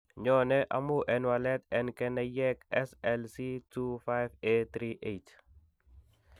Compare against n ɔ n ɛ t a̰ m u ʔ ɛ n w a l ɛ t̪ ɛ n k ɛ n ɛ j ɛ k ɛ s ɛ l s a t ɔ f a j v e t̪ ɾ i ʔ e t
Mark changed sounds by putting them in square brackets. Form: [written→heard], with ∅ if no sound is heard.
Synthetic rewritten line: [n→ɲ] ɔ n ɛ [t→ʔ] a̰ m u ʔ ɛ n w a l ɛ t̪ ɛ n k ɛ n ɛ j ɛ k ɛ s ɛ l s [a→i] t [ɔ→u] f a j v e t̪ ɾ i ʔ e t